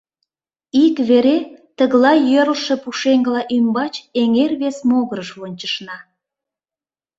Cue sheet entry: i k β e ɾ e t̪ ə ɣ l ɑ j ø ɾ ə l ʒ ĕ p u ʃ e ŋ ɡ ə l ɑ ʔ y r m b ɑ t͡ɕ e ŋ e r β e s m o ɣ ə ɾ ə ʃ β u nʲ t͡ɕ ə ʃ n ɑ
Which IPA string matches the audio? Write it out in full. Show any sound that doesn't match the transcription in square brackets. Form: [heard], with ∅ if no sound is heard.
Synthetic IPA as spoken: i k β e ɾ e t̪ ə ɣ l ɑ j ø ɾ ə l [ʃ] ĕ p u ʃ e ŋ ɡ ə l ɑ ʔ y [∅] m b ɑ t͡ɕ e ŋ e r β e s m o ɣ ə ɾ ə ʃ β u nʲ t͡ɕ ə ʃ n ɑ